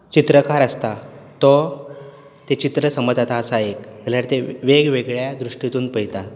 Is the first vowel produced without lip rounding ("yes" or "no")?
yes